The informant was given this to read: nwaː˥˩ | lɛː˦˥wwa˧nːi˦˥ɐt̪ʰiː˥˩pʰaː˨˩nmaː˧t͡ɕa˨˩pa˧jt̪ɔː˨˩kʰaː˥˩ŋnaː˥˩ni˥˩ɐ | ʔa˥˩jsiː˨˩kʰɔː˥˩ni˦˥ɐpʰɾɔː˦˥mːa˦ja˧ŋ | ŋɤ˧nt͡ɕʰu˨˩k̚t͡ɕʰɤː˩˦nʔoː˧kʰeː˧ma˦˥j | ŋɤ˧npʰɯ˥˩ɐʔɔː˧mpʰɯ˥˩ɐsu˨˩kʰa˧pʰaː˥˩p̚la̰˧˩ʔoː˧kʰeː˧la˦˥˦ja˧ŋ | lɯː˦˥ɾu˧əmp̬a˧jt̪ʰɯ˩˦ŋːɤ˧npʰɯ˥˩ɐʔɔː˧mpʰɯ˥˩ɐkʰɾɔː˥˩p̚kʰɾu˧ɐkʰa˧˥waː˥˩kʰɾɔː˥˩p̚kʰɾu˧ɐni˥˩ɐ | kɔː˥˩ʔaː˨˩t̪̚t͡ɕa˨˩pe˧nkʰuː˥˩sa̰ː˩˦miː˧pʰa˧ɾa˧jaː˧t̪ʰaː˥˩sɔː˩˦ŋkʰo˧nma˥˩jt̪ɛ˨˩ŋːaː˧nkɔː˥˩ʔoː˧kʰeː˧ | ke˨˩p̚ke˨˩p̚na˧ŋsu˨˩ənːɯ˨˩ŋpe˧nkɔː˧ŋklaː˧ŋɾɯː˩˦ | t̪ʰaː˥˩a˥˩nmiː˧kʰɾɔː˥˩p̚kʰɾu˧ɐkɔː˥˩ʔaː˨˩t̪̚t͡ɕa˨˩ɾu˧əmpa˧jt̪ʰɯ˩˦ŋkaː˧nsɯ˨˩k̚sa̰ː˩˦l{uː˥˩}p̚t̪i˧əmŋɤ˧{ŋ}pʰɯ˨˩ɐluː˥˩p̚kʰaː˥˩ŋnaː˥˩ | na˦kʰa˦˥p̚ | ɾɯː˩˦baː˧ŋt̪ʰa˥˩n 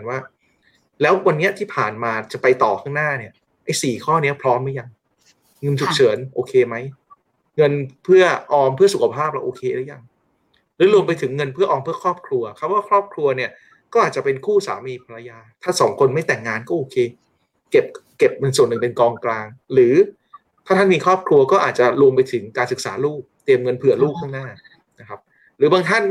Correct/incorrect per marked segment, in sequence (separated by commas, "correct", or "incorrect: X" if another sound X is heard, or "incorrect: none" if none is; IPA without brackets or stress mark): correct, incorrect: n